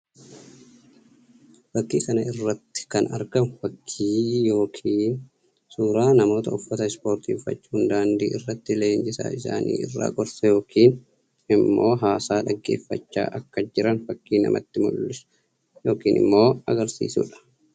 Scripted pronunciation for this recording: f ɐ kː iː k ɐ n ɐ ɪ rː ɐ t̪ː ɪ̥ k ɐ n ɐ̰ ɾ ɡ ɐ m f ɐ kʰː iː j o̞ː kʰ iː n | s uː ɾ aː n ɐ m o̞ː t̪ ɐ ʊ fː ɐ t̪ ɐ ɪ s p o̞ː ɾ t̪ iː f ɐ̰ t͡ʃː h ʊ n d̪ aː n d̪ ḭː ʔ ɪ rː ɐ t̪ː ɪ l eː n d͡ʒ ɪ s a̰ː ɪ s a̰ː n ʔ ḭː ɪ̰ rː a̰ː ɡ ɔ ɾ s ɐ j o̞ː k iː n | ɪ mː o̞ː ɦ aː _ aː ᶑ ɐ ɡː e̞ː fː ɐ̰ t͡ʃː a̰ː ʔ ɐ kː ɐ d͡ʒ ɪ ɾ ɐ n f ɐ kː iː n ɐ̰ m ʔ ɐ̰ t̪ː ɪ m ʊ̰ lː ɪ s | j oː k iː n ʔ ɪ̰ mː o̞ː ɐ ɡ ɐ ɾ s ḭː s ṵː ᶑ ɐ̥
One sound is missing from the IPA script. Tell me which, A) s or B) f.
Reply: A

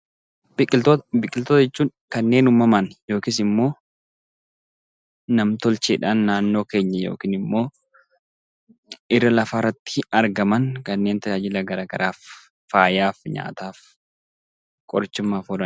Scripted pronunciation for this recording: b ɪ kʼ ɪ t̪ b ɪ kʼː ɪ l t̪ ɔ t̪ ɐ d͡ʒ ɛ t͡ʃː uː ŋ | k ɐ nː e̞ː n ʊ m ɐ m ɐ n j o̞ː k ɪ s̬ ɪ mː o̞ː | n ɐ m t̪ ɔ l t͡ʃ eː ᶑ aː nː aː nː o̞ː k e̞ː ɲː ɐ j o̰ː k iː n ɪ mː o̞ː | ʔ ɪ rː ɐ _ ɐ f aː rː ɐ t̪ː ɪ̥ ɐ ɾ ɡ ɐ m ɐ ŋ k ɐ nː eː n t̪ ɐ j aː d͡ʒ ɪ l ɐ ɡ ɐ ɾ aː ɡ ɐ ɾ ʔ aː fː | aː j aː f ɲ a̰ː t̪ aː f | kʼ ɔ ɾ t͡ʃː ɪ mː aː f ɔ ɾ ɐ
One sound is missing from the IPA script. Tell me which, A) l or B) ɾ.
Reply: A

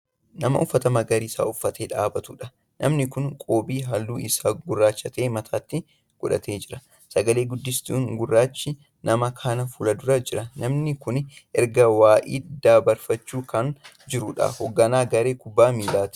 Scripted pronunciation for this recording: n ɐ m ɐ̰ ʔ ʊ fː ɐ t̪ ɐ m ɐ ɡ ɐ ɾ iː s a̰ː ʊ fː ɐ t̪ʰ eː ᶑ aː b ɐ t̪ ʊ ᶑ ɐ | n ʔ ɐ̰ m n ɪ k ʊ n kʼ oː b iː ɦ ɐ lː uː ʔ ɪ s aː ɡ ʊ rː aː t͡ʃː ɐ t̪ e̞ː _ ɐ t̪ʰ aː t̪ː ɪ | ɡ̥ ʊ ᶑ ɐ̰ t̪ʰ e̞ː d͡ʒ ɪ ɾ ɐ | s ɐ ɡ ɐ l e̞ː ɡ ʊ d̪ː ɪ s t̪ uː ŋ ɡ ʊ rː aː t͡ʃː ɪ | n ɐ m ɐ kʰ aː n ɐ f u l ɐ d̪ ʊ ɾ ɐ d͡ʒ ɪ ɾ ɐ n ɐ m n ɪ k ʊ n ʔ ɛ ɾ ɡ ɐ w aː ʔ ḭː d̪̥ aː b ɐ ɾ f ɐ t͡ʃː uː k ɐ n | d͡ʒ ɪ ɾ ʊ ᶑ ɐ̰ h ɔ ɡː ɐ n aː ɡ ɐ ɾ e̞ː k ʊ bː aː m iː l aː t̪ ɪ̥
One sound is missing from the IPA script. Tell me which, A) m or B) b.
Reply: A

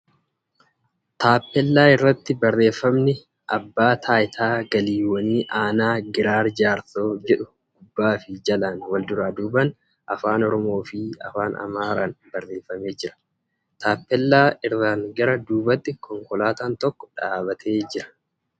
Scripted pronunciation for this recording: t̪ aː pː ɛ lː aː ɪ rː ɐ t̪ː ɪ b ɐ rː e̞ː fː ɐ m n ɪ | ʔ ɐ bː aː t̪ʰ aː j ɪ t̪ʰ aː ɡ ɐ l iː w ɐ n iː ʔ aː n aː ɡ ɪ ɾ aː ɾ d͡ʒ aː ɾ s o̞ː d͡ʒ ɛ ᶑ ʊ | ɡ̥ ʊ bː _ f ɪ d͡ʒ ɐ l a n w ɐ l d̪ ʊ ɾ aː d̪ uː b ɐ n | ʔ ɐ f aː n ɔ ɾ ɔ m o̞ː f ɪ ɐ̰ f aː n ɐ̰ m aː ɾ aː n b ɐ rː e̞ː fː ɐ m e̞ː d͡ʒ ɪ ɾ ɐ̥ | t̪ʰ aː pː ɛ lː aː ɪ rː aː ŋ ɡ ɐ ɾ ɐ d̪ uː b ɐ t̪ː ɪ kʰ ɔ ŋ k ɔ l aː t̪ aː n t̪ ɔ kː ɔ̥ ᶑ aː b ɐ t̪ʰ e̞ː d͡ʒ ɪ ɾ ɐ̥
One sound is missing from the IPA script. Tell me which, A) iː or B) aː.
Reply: B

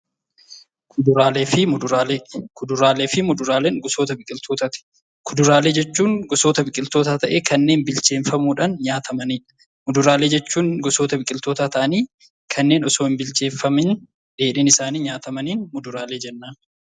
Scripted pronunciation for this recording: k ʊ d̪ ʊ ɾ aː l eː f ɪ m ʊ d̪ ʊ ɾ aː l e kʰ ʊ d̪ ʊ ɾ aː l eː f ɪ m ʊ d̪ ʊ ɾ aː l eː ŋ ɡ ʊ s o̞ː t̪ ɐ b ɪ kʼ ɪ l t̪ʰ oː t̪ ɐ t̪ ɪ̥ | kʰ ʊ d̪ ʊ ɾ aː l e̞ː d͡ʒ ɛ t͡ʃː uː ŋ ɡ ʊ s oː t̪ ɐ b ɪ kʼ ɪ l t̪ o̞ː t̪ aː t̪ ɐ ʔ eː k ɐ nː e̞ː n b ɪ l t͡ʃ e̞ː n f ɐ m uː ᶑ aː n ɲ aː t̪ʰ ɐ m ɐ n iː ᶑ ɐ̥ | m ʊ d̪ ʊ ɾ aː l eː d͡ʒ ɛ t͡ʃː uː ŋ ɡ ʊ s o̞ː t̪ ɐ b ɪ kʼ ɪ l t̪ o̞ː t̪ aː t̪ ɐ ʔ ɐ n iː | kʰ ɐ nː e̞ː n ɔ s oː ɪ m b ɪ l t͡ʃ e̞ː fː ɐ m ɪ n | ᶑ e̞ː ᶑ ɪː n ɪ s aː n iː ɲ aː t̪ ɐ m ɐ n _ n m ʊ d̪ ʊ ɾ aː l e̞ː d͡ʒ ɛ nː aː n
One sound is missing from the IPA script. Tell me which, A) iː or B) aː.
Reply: A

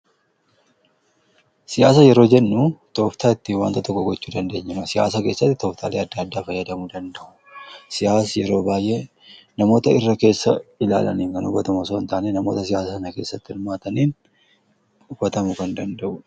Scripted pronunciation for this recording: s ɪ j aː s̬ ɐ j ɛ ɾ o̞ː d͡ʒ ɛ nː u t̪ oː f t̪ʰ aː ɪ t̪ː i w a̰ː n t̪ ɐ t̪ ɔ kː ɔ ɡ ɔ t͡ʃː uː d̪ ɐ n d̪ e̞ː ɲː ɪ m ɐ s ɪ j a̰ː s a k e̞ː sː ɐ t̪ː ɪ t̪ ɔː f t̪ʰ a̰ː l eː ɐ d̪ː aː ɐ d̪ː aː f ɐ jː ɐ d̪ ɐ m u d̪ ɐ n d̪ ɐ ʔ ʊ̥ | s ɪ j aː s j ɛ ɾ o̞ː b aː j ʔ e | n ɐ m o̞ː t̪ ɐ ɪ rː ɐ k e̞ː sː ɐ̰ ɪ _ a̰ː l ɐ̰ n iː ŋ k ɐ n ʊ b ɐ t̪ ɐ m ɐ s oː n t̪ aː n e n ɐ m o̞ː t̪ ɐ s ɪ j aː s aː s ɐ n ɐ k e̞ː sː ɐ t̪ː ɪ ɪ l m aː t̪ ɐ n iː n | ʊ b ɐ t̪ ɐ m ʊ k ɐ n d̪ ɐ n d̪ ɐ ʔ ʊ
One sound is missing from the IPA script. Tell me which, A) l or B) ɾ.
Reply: A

